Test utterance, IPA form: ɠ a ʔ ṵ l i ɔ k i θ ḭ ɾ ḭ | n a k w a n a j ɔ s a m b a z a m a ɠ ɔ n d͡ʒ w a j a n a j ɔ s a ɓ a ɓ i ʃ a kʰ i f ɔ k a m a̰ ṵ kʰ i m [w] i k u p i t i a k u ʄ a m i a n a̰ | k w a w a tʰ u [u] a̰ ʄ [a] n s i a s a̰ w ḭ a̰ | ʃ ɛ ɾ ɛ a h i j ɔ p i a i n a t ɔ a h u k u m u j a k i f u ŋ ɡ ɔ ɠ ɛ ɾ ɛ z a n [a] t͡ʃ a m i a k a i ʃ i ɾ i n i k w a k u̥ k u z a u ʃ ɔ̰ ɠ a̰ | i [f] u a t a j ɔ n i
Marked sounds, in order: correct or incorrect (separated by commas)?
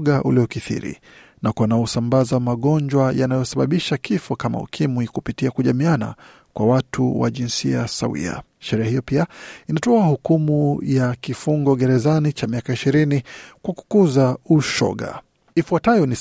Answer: correct, incorrect, incorrect, incorrect, correct